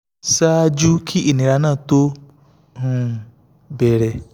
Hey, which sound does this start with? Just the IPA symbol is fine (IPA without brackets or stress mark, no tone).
s